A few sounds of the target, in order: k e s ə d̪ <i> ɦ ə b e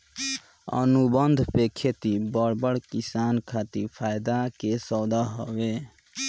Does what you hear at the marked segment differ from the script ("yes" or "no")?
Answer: yes